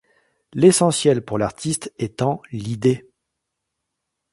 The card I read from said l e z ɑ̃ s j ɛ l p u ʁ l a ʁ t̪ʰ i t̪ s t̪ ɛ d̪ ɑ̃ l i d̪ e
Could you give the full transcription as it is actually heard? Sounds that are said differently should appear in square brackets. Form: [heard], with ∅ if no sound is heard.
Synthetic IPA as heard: l e [s] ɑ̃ s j ɛ l p u ʁ l a ʁ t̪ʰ i [∅] s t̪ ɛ [t̪] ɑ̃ l i d̪ e